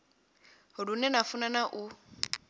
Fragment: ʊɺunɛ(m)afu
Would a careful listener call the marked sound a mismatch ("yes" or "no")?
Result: yes